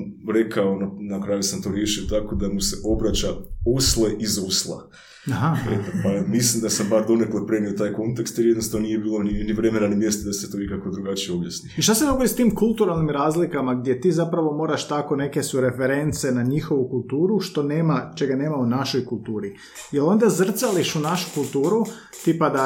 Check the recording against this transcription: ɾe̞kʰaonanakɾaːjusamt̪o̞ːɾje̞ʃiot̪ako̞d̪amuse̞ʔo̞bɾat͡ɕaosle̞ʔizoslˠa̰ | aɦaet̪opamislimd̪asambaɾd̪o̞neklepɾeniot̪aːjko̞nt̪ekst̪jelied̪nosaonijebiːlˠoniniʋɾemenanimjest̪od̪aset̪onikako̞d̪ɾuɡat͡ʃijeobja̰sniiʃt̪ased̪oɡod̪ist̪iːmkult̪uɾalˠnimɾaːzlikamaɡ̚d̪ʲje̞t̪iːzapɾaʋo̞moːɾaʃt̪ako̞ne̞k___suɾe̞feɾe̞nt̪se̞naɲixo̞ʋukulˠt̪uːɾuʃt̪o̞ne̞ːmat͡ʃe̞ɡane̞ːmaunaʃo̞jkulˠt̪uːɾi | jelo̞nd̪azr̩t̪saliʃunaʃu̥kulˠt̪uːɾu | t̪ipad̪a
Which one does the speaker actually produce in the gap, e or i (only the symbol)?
e